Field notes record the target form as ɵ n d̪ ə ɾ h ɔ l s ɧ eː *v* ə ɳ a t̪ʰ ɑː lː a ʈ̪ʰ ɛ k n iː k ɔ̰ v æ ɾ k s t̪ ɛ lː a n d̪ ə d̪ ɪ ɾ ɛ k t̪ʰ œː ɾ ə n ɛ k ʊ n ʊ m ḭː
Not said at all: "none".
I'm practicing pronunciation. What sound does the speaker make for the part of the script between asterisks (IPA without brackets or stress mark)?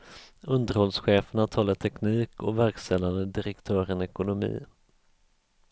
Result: f